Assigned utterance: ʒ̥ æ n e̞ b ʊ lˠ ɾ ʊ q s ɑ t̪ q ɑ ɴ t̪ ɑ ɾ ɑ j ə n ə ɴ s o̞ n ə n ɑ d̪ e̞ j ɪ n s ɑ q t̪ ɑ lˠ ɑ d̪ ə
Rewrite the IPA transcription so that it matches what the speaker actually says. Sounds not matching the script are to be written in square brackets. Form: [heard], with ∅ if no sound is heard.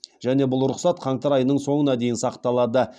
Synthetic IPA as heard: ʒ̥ æ n e̞ b ʊ lˠ ɾ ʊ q s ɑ t̪ [qʰ] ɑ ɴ t̪ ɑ ɾ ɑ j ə n ə ɴ s o̞ [ɴ] ə n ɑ d̪ e̞ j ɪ n s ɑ q t̪ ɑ lˠ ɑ d̪ ə